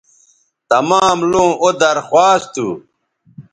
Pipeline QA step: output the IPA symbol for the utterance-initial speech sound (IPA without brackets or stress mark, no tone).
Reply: t̪